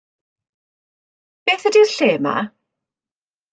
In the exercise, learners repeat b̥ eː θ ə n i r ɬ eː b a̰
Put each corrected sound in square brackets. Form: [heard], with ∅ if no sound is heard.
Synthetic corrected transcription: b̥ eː θ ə [d] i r ɬ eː [m] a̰